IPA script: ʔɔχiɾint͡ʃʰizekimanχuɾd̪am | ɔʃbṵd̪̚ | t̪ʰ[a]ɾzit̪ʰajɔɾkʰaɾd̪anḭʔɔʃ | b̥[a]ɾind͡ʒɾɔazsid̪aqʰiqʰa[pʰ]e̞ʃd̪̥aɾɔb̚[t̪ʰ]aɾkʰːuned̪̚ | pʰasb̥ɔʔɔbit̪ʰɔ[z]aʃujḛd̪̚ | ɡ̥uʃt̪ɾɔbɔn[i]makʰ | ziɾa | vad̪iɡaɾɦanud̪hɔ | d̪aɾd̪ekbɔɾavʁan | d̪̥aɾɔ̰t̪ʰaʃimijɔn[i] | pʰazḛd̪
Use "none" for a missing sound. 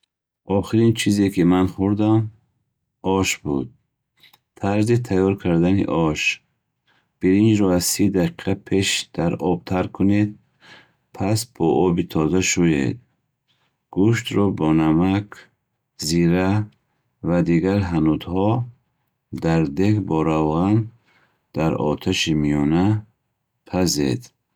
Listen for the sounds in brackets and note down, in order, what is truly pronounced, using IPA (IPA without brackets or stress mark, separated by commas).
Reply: a, i, pʰ, t̪ʰ, z, a, a